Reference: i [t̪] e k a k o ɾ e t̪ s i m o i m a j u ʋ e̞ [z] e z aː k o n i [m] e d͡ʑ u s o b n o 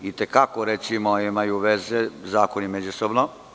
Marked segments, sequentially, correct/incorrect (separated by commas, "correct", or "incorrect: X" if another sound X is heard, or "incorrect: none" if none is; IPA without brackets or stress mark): correct, correct, correct